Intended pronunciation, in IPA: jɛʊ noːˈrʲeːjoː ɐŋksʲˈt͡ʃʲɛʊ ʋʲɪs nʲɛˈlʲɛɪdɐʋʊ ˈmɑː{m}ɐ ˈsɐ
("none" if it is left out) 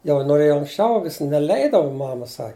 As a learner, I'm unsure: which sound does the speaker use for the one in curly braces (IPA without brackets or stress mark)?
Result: m